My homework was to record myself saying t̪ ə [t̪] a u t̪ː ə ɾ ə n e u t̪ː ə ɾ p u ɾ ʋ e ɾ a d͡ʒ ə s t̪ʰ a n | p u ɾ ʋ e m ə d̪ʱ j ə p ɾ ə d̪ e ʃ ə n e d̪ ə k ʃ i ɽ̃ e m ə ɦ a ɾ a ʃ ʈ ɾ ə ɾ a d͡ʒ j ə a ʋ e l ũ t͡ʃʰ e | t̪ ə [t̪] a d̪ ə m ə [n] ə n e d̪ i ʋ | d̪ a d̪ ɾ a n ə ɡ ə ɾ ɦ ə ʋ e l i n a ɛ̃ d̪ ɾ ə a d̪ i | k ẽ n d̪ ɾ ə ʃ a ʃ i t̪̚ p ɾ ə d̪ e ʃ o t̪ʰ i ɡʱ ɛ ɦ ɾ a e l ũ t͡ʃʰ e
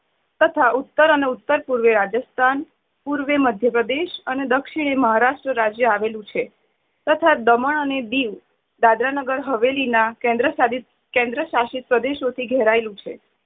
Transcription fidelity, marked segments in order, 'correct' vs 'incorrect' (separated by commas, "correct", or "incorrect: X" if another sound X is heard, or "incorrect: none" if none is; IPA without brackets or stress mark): incorrect: t̪ʰ, incorrect: t̪ʰ, incorrect: ɳ